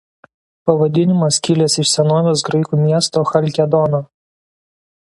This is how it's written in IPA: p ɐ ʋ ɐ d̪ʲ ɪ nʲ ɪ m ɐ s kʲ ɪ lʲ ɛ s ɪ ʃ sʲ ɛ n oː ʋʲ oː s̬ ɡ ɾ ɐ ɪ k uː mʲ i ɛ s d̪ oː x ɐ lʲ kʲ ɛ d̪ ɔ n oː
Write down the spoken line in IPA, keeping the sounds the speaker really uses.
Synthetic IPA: p ɐ ʋ ɐ d̪ʲ ɪ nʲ ɪ m ɐ s kʲ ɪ lʲ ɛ s ɪ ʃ sʲ ɛ n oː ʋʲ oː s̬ ɡ ɾ ɐ ɪ k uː mʲ i ɛ s t̪ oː x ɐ lʲ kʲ ɛ d̪ ɔ n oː

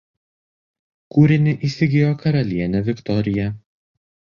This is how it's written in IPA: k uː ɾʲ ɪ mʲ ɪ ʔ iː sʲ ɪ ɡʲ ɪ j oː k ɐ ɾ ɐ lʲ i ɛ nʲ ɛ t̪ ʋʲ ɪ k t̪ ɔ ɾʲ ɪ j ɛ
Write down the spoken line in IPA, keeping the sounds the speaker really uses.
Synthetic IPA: k uː ɾʲ ɪ nʲ ɪ ʔ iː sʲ ɪ ɡʲ ɪ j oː k ɐ ɾ ɐ lʲ i ɛ nʲ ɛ ʋʲ ɪ k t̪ ɔ ɾʲ ɪ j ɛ

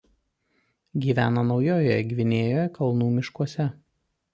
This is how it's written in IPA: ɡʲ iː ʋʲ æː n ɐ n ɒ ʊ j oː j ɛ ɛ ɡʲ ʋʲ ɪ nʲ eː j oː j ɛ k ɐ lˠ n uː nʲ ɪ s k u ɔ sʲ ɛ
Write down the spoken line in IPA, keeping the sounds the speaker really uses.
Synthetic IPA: ɡʲ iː ʋʲ æː n ɐ n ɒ ʊ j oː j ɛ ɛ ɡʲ ʋʲ ɪ nʲ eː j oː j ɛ k ɐ lˠ n uː mʲ ɪ ʃ k u ɔ sʲ ɛ

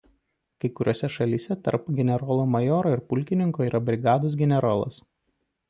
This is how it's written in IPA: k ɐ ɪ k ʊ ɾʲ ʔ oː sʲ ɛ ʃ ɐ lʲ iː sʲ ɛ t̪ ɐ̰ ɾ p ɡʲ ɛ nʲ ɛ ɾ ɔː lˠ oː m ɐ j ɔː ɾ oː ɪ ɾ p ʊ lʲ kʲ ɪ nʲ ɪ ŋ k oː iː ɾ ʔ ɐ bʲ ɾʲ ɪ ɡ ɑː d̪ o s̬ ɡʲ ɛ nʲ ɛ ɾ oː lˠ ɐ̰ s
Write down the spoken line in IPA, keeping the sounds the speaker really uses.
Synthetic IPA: k ɐ ɪ k ʊ ɾʲ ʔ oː sʲ ɛ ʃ ɐ lʲ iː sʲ ɛ t̪ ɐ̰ ɾ p ɡʲ ɛ nʲ ɛ ɾ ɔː lˠ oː m ɐ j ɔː ɾ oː ɪ ɾ p ʊ lʲ kʲ ɪ nʲ ɪ ŋ k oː iː ɾ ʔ ɐ bʲ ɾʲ ɪ ɡ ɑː d̪ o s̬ ɡʲ ɛ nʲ ɛ ɾ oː lˠ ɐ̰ s

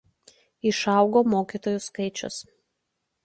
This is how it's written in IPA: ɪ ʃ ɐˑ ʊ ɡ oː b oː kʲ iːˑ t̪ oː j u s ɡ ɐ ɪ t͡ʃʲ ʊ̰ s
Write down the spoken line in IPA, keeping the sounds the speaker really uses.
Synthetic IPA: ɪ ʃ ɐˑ ʊ ɡ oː m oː kʲ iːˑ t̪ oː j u s k ɐ ɪ t͡ʃʲ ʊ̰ s

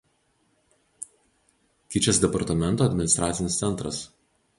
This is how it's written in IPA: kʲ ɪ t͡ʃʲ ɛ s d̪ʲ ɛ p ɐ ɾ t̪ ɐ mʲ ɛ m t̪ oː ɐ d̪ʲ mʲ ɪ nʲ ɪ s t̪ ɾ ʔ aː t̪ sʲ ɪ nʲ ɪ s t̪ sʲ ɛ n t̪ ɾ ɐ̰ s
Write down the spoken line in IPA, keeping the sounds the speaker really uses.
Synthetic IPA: kʲ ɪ t͡ʃʲ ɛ s d̪ʲ ɛ p ɐ ɾ t̪ ɐ mʲ ɛ n t̪ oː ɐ d̪ʲ mʲ ɪ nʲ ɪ s t̪ ɾ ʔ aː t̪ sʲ ɪ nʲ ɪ s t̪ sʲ ɛ n t̪ ɾ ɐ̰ s

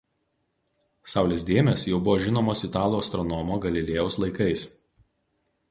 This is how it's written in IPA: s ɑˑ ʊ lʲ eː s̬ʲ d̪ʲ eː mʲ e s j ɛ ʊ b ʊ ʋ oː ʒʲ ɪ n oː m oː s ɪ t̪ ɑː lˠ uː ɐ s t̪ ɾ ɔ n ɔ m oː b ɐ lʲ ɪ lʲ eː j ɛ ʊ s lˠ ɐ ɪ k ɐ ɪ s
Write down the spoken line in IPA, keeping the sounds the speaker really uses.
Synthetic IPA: s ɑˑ ʊ lʲ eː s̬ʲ d̪ʲ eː mʲ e s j ɛ ʊ b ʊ ʋ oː ʒʲ ɪ n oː m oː s ɪ t̪ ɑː lˠ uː ɐ s t̪ ɾ ɔ n ɔ m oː ɡ ɐ lʲ ɪ lʲ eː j ɛ ʊ s lˠ ɐ ɪ k ɐ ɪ s

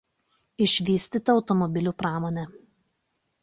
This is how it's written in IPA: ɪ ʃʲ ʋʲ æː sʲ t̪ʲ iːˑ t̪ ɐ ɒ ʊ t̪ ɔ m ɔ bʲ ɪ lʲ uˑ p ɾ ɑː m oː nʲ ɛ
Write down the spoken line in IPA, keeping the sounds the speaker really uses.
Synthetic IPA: ɪ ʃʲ ʋʲ iː sʲ t̪ʲ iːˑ t̪ ɐ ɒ ʊ t̪ ɔ m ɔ bʲ ɪ lʲ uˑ p ɾ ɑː m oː nʲ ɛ

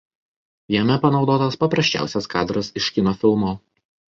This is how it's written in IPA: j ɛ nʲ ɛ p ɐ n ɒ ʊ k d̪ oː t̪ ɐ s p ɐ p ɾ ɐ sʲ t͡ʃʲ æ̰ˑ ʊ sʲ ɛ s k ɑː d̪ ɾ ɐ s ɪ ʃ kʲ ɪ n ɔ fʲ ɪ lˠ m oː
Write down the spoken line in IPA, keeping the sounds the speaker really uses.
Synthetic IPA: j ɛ mʲ ɛ p ɐ n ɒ ʊ d̪ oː t̪ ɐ s p ɐ p ɾ ɐ sʲ t͡ʃʲ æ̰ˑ ʊ sʲ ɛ s k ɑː d̪ ɾ ɐ s ɪ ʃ kʲ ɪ n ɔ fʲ ɪ lˠ m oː

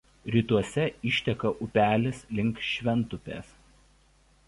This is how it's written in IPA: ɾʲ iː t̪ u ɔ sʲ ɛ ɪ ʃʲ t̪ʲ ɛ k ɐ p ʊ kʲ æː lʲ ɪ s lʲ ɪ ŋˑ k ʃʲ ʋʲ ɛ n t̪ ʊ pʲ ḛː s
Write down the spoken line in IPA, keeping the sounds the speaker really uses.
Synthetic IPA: ɾʲ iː t̪ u ɔ sʲ ɛ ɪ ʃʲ t̪ʲ ɛ k ɐ ʔ ʊ pʲ æː lʲ ɪ s lʲ ɪ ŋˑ k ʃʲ ʋʲ ɛ n t̪ ʊ pʲ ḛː s

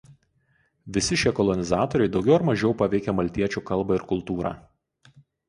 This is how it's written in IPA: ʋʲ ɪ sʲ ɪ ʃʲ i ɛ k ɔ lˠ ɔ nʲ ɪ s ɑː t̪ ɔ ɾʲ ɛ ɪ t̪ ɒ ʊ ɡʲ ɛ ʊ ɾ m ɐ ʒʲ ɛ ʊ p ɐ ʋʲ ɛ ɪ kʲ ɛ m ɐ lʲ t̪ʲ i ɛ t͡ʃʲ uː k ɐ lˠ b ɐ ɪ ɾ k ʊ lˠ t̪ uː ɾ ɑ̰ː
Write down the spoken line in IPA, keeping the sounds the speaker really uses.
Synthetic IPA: ʋʲ ɪ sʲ ɪ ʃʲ i ɛ k ɔ lˠ ɔ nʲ ɪ z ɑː t̪ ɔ ɾʲ ɛ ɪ d̪ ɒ ʊ ɡʲ ɛ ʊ ɾ m ɐ ʒʲ ɛ ʊ p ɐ ʋʲ ɛ ɪ kʲ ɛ m ɐ lʲ t̪ʲ i ɛ t͡ʃʲ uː k ɐ lˠ b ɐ ɪ ɾ k ʊ lˠ t̪ uː ɾ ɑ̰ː

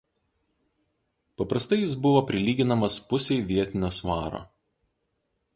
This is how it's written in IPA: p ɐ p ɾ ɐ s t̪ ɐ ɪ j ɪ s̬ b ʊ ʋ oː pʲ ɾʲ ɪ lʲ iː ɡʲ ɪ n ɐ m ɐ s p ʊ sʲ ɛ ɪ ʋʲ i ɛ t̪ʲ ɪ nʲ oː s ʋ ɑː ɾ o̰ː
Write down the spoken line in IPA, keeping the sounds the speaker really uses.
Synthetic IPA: p ɐ p ɾ ɐ s t̪ ɐ ɪ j ɪ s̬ b ʊ ʋ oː pʲ ɾʲ ɪ lʲ iː ɡʲ ɪ n ɐ m ɐ s p ʊ sʲ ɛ ɪ ʋʲ i ɛ t̪ʲ ɪ nʲ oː s ʋ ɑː ɾ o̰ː

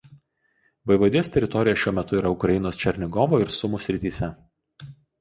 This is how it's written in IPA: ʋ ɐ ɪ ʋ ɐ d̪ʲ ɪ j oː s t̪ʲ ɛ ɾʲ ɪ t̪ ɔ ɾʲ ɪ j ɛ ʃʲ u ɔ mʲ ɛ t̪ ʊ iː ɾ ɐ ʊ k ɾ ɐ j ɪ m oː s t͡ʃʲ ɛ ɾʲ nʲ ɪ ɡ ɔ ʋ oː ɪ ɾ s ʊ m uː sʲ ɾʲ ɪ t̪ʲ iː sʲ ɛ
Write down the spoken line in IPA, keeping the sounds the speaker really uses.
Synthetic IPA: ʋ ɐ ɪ ʋ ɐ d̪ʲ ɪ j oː s t̪ʲ ɛ ɾʲ ɪ t̪ ɔ ɾʲ ɪ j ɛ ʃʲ u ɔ mʲ ɛ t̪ ʊ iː ɾ ɐ ʊ k ɾ ɐ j ɪ n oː s t͡ʃʲ ɛ ɾʲ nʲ ɪ ɡ ɔ ʋ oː ɪ ɾ s ʊ m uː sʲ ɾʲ ɪ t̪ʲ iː sʲ ɛ

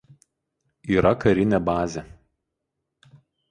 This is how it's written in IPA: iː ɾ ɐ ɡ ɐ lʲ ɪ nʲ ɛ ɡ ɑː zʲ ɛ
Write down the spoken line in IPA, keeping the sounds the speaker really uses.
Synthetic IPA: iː ɾ ɐ k ɐ ɾʲ ɪ nʲ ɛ b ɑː zʲ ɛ

